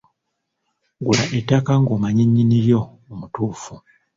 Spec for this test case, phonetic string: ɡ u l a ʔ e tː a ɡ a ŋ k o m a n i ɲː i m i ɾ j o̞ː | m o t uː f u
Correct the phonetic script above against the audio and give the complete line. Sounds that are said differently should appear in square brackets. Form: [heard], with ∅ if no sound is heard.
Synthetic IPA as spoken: ɡ u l a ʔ e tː a [k] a ŋ [ɡ] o m a [ɲ] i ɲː i [n] i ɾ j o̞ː | m [u] t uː f u